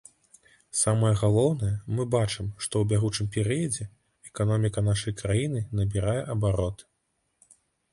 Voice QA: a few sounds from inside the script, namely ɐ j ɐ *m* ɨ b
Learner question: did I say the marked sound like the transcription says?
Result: yes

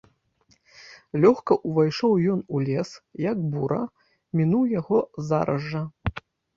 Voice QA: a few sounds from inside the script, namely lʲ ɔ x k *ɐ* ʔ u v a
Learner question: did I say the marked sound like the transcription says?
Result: yes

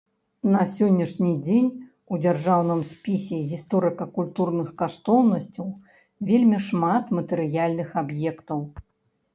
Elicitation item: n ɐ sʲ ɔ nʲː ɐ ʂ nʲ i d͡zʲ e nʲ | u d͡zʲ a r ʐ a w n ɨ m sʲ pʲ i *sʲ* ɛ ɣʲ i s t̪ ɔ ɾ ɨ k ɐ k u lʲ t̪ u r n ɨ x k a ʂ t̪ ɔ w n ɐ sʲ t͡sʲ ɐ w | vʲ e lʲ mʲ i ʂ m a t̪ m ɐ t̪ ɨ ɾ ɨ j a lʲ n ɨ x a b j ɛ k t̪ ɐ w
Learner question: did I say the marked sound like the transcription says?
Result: yes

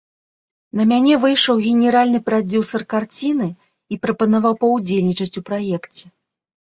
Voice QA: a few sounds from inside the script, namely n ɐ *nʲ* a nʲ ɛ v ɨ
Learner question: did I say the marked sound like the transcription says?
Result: no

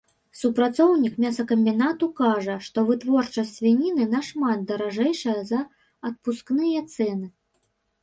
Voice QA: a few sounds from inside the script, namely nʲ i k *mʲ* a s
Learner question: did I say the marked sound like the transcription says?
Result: yes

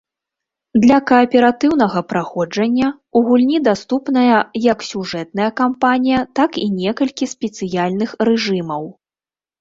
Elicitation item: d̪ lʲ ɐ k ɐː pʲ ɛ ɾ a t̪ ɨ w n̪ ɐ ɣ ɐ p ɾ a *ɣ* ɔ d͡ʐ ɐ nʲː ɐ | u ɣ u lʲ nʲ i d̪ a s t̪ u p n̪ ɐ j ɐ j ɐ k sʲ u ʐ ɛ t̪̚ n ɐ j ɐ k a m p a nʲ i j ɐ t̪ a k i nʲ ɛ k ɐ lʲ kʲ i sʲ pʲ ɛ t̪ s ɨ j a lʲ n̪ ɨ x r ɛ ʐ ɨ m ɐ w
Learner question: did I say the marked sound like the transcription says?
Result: no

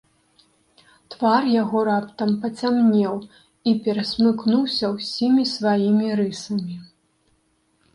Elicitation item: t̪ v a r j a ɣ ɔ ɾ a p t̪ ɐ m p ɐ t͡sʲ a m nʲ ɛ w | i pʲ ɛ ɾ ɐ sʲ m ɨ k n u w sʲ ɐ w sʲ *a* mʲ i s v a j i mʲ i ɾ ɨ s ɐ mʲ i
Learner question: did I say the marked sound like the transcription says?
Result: no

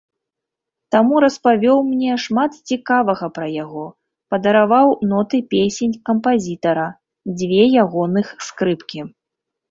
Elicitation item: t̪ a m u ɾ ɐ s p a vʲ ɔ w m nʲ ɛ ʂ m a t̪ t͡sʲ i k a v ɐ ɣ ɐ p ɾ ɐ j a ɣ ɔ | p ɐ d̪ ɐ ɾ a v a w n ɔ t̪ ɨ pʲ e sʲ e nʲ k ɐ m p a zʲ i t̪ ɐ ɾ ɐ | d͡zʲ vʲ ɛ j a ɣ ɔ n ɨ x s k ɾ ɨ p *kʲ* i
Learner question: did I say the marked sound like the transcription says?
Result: yes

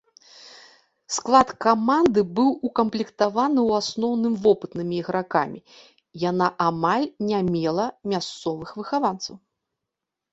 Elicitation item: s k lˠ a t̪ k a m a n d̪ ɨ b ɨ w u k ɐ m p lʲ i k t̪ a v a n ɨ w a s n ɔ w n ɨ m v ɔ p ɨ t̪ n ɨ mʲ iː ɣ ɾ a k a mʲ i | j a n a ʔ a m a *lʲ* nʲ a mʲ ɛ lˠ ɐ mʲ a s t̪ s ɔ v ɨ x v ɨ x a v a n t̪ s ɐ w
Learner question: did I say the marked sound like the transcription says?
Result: yes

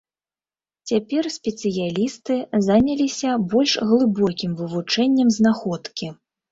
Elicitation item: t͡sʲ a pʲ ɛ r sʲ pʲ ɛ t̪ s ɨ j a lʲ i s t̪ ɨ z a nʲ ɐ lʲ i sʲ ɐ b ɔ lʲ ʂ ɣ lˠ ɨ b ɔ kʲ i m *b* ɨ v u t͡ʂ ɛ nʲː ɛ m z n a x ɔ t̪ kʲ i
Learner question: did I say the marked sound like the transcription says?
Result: no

